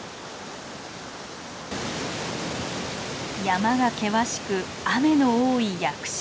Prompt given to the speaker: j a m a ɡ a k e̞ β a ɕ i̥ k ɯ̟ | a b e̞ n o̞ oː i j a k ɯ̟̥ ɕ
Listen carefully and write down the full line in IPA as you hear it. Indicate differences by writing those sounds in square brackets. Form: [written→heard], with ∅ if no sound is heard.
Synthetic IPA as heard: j a m a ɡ a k e̞ β a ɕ i̥ k ɯ̟ | a [b→m] e̞ n o̞ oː i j a k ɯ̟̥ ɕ